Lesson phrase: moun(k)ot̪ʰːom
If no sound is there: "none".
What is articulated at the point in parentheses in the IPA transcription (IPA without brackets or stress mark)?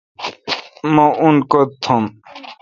k